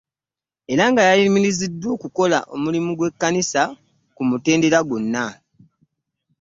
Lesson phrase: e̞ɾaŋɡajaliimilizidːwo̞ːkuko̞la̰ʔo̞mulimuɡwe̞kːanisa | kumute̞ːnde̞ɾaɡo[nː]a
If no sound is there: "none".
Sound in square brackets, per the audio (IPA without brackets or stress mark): nː